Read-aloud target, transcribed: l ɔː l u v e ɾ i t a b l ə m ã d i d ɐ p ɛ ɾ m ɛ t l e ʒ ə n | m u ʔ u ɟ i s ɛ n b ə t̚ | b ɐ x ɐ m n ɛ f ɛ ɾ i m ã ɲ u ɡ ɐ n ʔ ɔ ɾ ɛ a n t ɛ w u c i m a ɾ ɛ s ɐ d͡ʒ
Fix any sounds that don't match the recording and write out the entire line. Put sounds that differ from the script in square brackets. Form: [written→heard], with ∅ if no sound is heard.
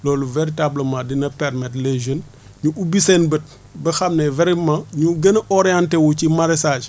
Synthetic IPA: l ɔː l u v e ɾ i t a b l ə m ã d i [d→n] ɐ p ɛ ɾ m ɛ t l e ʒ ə n | [m→ɲ] u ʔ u [ɟ→b] i s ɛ n b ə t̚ | b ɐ x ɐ m n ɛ [f→v] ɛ ɾ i m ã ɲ u ɡ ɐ n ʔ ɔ ɾ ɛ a n t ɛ w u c i m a ɾ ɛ s [ɐ→a] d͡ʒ